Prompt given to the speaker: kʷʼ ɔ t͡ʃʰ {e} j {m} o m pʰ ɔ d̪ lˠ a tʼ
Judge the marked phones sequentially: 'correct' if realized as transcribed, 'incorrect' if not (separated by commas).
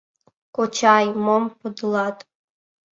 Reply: incorrect, correct